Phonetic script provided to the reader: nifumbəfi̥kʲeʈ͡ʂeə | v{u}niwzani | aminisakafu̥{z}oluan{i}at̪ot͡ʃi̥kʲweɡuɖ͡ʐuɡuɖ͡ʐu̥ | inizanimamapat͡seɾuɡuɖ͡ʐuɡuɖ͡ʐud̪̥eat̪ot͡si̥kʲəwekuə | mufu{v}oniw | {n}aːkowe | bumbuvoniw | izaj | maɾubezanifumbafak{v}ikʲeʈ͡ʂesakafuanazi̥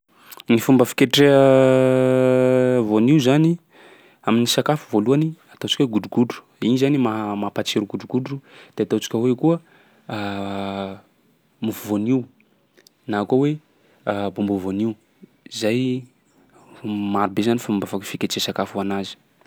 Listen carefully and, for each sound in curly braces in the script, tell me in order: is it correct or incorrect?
incorrect: o, incorrect: v, correct, correct, correct, incorrect: f

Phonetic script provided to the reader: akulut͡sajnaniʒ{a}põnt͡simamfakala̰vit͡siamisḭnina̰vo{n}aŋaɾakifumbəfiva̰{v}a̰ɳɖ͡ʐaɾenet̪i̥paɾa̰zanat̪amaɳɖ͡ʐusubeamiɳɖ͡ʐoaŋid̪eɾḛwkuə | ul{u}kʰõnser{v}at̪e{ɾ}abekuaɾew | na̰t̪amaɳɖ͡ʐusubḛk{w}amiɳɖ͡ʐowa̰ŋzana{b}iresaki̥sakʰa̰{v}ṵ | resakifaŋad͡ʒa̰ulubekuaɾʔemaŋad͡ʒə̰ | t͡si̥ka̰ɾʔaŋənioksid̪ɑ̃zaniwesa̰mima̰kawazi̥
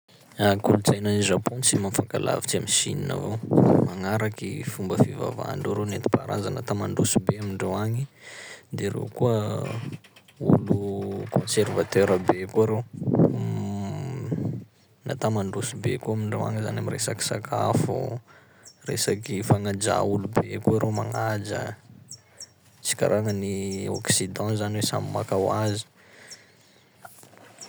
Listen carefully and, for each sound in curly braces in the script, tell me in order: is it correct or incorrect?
correct, incorrect: m, correct, correct, correct, correct, incorrect: u, incorrect: m, incorrect: f

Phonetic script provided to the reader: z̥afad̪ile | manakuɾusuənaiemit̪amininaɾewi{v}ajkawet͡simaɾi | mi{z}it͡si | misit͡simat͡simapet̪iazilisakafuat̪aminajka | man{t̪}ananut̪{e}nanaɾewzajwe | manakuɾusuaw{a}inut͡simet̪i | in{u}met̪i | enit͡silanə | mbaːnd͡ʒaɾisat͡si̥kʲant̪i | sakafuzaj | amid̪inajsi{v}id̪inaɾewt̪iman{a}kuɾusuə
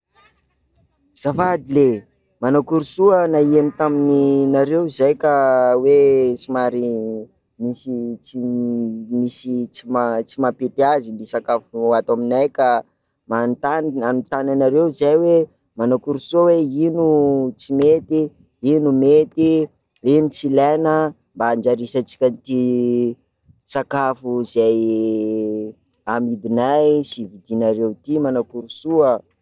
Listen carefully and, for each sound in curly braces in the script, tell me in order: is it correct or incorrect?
incorrect: z, incorrect: s, correct, incorrect: a, incorrect: e, correct, correct, correct

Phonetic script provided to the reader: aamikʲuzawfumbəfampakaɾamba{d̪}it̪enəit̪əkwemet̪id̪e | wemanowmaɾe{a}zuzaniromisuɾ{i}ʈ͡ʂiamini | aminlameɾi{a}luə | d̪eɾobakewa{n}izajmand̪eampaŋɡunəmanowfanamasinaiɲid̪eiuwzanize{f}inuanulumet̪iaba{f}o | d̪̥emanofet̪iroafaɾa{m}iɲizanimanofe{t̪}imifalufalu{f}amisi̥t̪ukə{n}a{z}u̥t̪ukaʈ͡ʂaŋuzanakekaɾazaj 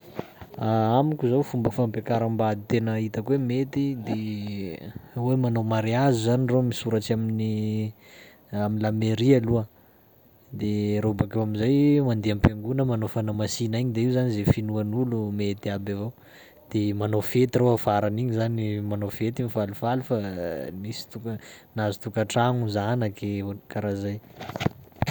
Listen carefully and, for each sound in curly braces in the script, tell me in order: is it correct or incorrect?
correct, correct, incorrect: a, correct, incorrect: m, correct, incorrect: v, incorrect: n, correct, correct, correct, correct

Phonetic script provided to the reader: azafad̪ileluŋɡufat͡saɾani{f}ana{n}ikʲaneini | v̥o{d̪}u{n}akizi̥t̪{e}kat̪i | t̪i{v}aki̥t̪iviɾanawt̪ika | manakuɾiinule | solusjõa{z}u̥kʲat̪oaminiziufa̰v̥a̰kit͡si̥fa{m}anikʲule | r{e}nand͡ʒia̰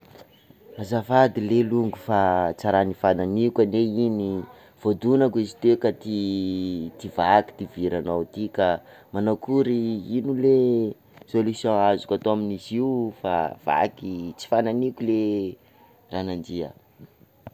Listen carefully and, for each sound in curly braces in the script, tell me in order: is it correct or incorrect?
correct, correct, correct, correct, correct, correct, correct, incorrect: n, incorrect: a

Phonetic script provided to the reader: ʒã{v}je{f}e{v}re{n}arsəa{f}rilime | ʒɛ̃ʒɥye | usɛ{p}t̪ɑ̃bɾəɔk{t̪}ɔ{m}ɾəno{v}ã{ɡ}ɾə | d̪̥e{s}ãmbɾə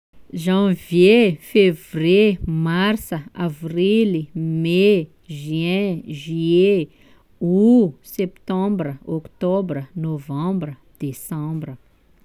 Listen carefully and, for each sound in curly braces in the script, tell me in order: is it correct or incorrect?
correct, correct, correct, incorrect: m, incorrect: v, correct, correct, incorrect: b, correct, incorrect: b, correct

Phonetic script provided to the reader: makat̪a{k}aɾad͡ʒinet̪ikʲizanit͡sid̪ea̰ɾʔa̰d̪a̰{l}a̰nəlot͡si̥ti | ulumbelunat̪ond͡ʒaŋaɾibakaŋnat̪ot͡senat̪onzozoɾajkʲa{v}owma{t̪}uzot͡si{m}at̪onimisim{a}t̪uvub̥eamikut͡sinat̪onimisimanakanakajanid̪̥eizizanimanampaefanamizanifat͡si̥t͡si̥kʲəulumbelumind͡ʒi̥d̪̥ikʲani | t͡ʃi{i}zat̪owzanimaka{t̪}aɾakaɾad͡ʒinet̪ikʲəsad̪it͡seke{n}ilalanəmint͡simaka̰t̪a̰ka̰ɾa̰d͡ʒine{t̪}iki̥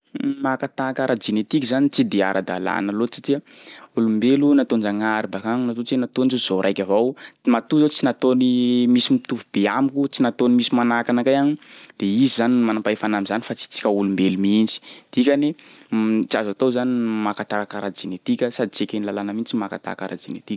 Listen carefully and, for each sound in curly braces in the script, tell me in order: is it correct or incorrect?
correct, correct, correct, correct, incorrect: n, incorrect: i, incorrect: a, correct, correct, correct

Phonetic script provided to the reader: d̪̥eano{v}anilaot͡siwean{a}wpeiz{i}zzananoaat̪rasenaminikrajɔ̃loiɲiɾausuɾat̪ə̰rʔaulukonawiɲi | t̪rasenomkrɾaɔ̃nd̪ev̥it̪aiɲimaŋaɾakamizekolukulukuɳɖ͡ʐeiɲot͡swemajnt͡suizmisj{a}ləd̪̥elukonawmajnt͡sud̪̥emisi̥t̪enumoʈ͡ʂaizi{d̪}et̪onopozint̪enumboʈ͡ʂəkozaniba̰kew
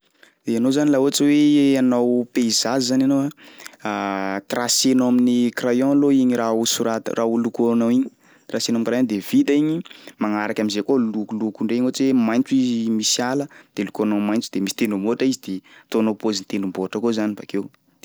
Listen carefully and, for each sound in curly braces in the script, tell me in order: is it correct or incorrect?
incorrect: z, correct, incorrect: a, correct, correct

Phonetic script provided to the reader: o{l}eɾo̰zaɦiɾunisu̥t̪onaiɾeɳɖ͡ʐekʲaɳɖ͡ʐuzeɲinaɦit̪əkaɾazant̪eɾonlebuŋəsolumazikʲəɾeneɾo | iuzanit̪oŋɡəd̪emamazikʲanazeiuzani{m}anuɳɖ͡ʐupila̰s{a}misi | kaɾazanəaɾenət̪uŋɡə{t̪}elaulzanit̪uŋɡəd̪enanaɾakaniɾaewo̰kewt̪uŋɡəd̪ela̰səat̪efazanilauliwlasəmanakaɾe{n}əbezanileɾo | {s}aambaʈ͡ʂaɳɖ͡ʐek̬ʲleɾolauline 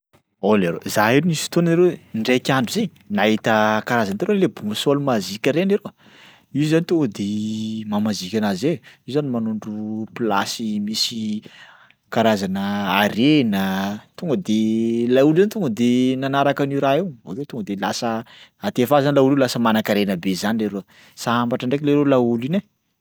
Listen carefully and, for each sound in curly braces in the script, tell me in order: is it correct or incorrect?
correct, correct, incorrect: i, incorrect: d̪, correct, correct

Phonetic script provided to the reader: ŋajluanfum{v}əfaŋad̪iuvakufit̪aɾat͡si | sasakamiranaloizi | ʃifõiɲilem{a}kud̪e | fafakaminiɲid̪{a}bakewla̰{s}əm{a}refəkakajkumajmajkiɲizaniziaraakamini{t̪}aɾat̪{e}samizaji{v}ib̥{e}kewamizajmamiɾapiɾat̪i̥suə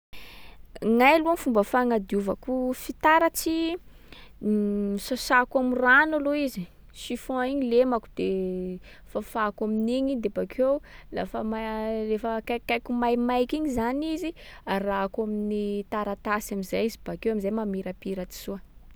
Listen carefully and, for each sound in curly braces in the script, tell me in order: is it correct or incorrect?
incorrect: b, correct, incorrect: e, incorrect: f, correct, correct, incorrect: a, incorrect: z, incorrect: a

